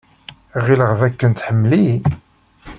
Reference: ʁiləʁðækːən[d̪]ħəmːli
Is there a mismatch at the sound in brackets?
yes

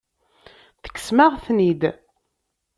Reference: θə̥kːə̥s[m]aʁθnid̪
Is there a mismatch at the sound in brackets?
no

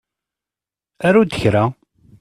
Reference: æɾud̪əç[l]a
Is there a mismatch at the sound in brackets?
yes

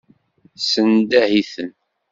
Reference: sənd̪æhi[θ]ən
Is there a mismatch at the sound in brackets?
no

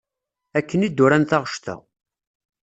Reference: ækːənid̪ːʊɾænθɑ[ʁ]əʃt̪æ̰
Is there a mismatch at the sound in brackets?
no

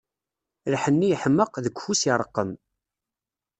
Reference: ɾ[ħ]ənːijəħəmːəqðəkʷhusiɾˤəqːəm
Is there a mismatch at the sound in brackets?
no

